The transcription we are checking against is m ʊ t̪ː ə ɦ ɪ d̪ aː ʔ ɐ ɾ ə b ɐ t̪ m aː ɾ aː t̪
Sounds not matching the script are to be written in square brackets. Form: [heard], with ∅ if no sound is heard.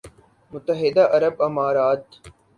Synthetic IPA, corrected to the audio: m ʊ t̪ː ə ɦ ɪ d̪ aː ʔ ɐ ɾ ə b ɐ [∅] m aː ɾ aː t̪

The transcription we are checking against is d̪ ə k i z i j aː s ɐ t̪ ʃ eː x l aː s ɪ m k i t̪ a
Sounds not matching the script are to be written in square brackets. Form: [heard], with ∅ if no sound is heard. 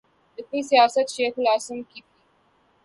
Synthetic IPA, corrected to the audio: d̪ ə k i [s] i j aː s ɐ t̪ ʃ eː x l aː s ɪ m k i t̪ [i]

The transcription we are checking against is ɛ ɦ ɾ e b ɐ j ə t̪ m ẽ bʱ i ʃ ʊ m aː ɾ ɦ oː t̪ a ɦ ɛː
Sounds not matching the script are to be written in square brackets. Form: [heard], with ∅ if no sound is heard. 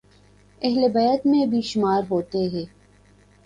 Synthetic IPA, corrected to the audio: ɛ ɦ [l] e b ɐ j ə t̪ m ẽ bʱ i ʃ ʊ m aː ɾ ɦ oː t̪ [e] ɦ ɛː

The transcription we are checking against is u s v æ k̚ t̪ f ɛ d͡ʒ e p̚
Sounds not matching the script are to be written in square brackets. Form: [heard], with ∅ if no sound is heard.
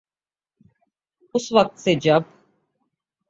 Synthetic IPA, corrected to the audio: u s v [a] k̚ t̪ [s] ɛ d͡ʒ [a] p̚

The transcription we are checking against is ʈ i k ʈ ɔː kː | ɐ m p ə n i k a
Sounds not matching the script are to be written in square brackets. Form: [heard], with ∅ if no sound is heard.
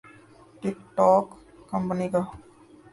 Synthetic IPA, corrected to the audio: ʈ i k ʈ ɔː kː | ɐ m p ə n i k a

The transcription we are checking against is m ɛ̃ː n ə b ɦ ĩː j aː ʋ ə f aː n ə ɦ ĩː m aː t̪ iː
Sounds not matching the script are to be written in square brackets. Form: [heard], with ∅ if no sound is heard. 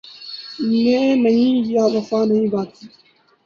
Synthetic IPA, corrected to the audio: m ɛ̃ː n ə [∅] ɦ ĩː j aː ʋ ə f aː n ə ɦ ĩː [b] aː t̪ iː

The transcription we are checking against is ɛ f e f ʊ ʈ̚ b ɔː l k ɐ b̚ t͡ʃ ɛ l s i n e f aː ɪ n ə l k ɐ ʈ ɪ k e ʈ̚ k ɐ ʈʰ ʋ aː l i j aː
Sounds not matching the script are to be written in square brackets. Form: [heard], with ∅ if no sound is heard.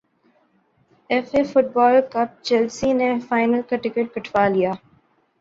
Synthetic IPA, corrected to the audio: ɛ f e f ʊ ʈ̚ b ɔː l k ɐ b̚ t͡ʃ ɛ l s i n e f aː ɪ n ə l k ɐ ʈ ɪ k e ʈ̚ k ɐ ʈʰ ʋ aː l i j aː

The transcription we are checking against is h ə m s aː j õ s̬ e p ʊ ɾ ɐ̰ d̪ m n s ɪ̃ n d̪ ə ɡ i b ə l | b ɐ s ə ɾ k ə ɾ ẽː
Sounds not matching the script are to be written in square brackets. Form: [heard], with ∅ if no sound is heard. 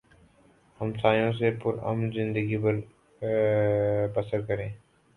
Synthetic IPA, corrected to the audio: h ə m s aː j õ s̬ e p ʊ ɾ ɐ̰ [∅] m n [z] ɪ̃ n d̪ ə ɡ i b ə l | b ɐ s ə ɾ k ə ɾ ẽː

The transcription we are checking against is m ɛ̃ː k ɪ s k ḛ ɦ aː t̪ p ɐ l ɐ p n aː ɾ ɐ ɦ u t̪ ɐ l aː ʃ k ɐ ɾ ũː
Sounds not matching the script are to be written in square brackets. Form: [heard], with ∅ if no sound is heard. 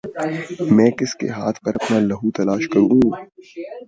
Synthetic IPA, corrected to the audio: m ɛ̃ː k ɪ s k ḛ ɦ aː [t̪ʰ] p ɐ [ɾ] ɐ p n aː [l] ɐ ɦ u t̪ ɐ l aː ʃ k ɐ ɾ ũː

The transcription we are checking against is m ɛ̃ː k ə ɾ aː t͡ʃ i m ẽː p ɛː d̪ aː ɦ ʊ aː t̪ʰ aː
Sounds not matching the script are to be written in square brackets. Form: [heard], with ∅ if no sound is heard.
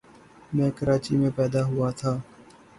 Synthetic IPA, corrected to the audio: m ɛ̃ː k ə ɾ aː t͡ʃ i m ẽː p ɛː d̪ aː ɦ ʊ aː t̪ʰ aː

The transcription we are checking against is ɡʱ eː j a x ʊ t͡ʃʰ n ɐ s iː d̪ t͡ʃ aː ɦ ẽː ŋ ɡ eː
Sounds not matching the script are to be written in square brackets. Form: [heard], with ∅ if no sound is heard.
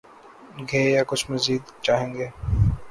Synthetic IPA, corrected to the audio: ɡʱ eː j a [k] ʊ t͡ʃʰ [m] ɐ [z] iː d̪ t͡ʃ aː ɦ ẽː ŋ ɡ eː

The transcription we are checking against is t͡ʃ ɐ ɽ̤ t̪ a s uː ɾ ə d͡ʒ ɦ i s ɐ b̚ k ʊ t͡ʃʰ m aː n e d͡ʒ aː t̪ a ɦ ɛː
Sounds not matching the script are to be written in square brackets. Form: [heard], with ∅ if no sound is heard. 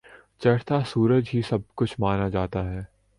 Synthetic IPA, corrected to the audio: t͡ʃ ɐ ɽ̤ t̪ a s uː ɾ ə d͡ʒ ɦ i s ɐ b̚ k ʊ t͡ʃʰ m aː n [a] d͡ʒ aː t̪ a ɦ ɛː

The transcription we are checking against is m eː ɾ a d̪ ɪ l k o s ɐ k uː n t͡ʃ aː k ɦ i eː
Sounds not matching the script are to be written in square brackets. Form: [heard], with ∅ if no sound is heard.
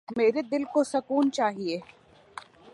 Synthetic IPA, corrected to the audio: m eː ɾ [e] d̪ ɪ l k o s ɐ k uː n t͡ʃ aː [∅] ɦ i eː

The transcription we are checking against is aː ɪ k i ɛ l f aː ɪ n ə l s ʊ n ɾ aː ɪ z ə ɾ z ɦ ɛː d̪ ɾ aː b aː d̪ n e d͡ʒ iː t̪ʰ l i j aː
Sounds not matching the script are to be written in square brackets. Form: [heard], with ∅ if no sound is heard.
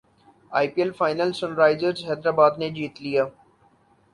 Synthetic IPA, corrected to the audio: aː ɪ [p] i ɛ l f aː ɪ n ə l s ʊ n ɾ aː ɪ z ə ɾ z ɦ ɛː d̪ ɾ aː b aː d̪ n e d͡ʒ iː [t̪] l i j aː

